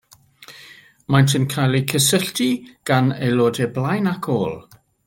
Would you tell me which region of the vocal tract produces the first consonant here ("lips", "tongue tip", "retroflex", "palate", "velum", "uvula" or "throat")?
lips